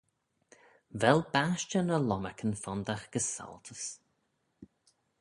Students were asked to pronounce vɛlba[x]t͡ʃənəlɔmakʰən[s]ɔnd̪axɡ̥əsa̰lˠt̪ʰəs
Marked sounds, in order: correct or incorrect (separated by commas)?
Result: incorrect, incorrect